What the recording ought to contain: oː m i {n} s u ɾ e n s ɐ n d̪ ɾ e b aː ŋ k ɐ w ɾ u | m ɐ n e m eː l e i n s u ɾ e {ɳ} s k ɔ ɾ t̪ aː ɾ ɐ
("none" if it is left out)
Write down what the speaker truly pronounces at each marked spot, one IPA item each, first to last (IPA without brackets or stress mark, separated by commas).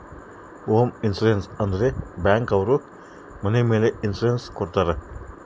n, n